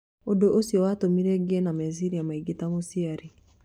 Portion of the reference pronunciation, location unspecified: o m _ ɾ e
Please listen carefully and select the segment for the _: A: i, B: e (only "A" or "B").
A